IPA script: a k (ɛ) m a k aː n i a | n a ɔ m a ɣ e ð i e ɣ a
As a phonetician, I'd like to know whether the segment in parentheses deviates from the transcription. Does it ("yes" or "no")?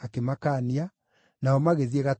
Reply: yes